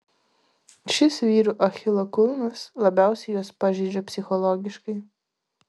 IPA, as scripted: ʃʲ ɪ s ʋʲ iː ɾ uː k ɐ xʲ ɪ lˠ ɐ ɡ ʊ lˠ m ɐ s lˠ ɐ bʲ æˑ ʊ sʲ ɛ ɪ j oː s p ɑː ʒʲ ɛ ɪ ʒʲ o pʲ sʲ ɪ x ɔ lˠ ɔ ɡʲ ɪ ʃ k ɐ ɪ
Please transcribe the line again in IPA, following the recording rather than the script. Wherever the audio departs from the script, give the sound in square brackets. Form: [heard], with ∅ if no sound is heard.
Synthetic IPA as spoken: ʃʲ ɪ s ʋʲ iː ɾ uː [ʔ] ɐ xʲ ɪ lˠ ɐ [k] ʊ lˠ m ɐ s lˠ ɐ bʲ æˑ ʊ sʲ ɛ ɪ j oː s p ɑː ʒʲ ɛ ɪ [d͡ʒʲ] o pʲ sʲ ɪ x ɔ lˠ ɔ ɡʲ ɪ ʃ k ɐ ɪ